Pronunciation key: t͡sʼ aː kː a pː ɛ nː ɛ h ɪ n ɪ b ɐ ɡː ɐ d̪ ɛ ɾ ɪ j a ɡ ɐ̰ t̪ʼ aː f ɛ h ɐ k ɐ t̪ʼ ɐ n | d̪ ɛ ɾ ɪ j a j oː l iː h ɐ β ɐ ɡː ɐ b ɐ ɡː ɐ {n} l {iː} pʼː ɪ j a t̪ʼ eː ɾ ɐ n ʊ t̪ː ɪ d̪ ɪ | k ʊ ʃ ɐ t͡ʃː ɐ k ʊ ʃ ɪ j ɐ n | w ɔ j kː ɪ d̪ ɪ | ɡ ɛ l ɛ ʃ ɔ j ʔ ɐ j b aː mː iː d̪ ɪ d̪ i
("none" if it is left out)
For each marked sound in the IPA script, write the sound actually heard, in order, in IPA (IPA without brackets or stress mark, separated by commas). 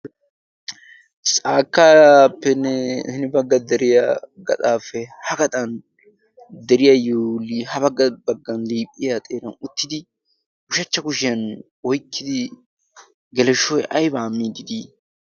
n, iː